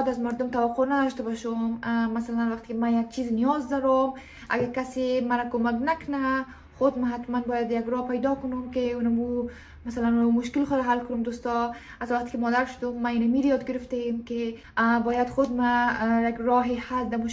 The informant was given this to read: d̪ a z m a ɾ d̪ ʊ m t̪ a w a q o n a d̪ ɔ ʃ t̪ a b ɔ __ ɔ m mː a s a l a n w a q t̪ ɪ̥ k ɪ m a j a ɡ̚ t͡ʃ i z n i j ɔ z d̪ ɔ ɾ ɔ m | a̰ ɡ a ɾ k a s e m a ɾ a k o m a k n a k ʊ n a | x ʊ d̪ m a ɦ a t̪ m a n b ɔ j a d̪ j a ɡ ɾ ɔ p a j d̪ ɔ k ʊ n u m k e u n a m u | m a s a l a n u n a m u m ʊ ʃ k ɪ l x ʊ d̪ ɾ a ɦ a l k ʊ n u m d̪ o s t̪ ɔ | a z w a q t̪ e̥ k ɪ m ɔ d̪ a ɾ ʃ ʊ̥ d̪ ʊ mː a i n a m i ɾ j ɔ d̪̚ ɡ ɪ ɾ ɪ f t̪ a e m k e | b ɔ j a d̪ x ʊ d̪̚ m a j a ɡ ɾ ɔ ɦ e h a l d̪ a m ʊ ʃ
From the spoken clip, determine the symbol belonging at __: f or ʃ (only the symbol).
ʃ